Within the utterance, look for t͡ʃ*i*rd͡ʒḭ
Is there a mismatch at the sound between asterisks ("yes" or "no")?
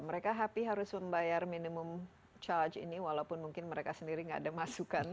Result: yes